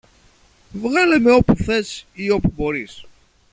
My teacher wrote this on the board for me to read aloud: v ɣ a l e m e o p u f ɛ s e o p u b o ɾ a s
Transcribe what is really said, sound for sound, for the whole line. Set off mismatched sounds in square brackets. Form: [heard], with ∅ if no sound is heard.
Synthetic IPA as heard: v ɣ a l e m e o p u [θ] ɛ s [i] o p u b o ɾ [i] s